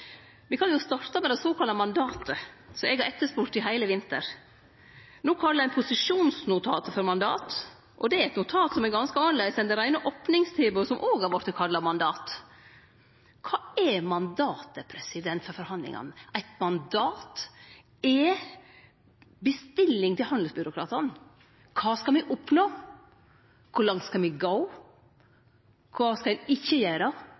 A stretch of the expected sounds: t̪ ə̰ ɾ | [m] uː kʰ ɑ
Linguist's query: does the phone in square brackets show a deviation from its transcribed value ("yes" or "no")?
yes